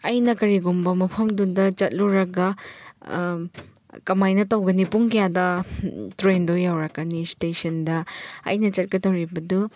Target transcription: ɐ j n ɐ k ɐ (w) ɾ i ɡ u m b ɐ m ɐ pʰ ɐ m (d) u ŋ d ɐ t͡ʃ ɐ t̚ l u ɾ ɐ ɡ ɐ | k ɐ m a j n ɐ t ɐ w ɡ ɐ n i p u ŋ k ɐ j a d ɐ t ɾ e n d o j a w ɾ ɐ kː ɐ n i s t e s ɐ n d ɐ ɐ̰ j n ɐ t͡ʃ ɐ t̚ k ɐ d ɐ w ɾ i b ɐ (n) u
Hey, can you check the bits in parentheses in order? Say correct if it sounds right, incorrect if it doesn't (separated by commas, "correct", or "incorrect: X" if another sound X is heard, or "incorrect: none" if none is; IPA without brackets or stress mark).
incorrect: none, correct, incorrect: d